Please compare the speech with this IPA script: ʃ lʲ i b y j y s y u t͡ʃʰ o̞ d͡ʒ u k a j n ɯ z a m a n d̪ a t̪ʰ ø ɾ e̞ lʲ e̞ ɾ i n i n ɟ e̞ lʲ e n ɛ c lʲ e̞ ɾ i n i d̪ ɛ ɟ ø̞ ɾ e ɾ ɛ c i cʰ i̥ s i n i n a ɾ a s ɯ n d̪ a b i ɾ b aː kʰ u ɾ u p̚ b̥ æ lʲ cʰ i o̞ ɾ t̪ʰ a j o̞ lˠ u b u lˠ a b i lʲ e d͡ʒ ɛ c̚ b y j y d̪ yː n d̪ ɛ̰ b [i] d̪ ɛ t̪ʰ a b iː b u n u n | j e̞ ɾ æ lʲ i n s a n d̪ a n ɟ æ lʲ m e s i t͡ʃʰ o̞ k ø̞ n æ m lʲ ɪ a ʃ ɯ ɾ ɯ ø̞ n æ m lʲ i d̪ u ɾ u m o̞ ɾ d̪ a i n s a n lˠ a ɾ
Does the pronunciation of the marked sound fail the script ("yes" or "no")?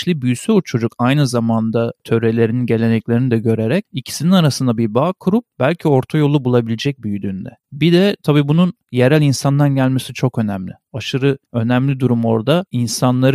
no